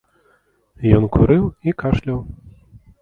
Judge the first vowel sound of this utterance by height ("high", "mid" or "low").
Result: mid